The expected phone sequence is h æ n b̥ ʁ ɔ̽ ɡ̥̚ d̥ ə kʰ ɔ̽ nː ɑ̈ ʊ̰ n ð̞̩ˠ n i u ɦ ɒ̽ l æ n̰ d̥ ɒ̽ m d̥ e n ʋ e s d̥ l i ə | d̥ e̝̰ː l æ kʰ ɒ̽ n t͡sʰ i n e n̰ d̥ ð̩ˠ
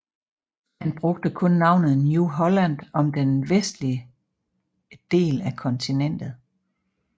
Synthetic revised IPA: h æ n b̥ ʁ ɔ̽ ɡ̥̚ d̥ ə kʰ ɔ̽ nː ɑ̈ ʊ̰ n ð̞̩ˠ n j u ɦ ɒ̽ l æ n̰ d̥ ɒ̽ m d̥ e n ʋ e s d̥ l i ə | d̥ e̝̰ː l æ kʰ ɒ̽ n t͡sʰ i n e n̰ d̥ ð̩ˠ